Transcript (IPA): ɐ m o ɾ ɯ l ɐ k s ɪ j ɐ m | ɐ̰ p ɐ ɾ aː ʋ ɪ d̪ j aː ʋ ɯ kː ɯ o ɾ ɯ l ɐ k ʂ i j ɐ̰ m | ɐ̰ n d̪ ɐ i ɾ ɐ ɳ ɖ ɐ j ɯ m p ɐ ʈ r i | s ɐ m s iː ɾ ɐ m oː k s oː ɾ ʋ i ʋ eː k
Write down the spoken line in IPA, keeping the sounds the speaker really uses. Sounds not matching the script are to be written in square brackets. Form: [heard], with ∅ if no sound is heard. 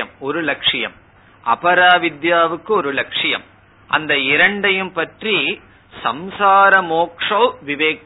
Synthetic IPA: ɐ m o ɾ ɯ l ɐ k [ʂ] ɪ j ɐ m | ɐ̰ p ɐ ɾ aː ʋ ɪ d̪ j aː ʋ ɯ kː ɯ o ɾ ɯ l ɐ k ʂ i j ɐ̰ m | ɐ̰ n d̪ ɐ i ɾ ɐ ɳ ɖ ɐ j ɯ m p ɐ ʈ r i | s ɐ m s [aː] ɾ ɐ m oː k [ʂ] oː [∅] ʋ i ʋ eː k